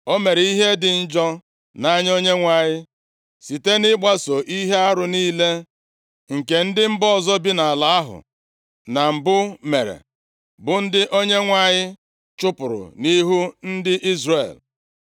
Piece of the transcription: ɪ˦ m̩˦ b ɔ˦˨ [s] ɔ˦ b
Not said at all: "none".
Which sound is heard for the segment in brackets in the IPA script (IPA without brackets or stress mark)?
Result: z